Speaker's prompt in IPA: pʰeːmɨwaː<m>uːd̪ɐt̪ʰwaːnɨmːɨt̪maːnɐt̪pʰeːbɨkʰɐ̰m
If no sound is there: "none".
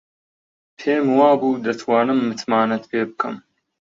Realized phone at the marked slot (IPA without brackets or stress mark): b